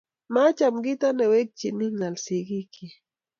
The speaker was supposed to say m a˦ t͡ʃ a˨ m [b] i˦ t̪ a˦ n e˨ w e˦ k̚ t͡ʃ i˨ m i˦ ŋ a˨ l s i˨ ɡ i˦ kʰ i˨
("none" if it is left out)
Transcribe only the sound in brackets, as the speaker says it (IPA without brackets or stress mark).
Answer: ɡ